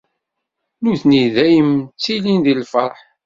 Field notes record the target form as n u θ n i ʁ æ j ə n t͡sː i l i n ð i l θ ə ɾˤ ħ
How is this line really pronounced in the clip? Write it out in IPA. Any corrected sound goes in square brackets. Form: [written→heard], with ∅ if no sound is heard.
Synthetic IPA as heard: n u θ n i [ʁ→ð] æ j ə [n→m] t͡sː i l i n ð i l [θ→f] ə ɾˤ ħ